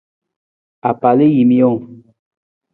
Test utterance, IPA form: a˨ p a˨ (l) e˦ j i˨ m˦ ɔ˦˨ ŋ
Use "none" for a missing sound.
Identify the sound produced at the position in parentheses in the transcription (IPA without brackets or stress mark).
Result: l